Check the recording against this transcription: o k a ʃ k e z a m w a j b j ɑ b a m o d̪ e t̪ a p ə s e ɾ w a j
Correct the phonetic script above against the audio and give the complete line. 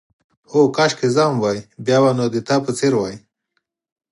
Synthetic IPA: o k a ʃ k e z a m w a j b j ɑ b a n o d̪ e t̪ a p ə t͡s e ɾ w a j